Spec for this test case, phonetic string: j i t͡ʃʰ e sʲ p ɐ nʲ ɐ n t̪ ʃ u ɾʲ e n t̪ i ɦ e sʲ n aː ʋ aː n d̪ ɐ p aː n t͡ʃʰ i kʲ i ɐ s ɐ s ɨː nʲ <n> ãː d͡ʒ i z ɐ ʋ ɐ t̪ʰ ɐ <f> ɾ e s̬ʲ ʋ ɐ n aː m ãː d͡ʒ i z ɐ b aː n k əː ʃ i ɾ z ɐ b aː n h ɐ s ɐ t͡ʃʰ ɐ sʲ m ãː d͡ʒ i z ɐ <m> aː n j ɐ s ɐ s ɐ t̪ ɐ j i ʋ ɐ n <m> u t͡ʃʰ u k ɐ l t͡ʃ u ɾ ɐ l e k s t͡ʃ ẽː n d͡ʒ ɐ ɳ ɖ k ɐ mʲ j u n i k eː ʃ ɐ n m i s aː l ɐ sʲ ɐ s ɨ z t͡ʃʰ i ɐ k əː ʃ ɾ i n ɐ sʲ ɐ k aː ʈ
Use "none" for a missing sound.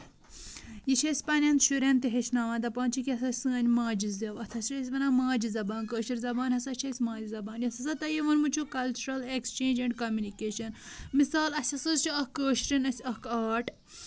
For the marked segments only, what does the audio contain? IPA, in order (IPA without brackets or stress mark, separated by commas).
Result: m, s, b, m